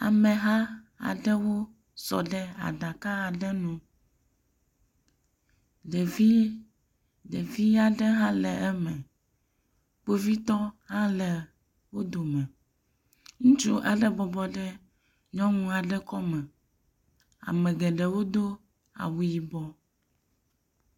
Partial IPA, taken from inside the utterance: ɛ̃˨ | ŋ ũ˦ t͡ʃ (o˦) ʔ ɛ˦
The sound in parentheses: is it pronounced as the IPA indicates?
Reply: no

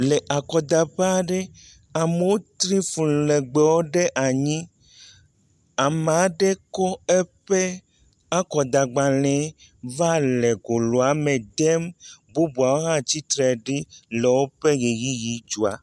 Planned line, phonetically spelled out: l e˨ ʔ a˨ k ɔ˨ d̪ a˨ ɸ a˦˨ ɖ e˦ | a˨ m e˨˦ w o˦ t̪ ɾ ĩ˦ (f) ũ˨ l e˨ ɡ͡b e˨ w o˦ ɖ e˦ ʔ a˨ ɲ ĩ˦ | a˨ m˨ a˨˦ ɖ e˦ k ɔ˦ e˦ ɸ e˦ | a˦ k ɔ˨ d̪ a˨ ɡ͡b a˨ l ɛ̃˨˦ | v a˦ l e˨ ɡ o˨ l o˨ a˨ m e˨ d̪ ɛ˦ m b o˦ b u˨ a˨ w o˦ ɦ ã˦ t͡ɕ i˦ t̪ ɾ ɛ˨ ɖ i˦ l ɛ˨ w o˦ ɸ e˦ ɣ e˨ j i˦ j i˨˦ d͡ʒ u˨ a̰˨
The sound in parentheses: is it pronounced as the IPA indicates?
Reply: yes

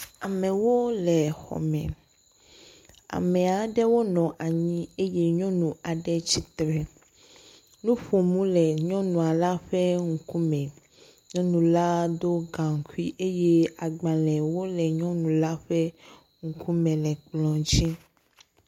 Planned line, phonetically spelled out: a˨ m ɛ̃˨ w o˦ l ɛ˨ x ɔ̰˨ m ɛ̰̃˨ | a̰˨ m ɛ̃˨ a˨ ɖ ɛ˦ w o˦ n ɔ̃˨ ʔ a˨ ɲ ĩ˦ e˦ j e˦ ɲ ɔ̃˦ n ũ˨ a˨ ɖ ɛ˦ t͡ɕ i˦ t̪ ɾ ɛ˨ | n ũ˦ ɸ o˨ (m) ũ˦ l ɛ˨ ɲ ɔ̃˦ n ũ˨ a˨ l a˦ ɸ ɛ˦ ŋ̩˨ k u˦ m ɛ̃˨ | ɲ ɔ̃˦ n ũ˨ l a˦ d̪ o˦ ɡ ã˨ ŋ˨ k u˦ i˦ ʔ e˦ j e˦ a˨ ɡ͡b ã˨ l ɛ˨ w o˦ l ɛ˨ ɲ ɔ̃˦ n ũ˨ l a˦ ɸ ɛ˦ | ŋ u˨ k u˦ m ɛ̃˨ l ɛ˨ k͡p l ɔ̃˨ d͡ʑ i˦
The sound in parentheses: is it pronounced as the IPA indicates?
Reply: yes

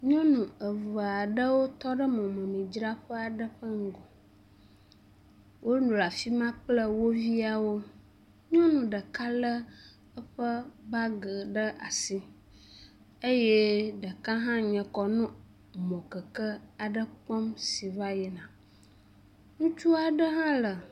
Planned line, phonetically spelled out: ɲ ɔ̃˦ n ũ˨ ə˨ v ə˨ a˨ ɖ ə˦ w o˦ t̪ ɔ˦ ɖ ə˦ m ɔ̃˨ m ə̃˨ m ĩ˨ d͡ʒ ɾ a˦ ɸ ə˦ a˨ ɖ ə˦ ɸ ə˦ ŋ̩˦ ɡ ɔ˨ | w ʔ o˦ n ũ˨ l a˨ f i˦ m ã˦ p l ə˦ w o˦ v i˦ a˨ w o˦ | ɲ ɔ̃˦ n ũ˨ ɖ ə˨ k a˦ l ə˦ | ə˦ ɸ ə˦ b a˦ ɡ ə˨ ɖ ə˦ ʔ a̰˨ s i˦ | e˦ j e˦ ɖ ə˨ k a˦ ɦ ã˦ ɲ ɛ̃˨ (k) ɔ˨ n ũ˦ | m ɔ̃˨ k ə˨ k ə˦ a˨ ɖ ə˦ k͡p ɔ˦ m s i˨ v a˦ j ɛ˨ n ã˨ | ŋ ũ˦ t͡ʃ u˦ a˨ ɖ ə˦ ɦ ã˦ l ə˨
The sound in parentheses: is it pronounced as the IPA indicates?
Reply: yes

